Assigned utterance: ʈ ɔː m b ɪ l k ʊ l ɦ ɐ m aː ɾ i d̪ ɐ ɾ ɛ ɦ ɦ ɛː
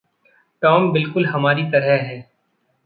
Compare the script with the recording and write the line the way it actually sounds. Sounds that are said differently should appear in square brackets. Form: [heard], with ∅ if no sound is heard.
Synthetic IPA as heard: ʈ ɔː m b ɪ l k ʊ l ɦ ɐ m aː ɾ i [t̪] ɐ ɾ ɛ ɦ ɦ ɛː